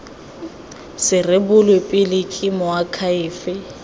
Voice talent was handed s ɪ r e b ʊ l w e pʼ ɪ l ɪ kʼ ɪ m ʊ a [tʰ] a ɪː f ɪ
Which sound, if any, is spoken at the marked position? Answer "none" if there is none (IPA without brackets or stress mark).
kʰ